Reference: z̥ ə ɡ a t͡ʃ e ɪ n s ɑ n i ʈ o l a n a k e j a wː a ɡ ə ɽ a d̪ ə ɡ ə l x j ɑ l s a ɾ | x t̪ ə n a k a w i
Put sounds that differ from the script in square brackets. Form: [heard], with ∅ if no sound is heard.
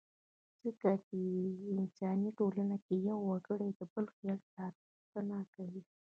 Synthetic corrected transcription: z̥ ə [k] a t͡ʃ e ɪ n s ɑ n i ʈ o l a n a k e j a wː a ɡ ə ɽ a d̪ ə [b] ə l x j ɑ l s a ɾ | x t̪ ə n a k a w i